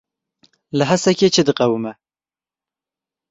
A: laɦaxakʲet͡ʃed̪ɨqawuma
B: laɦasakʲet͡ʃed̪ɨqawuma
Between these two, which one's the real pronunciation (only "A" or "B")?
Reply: B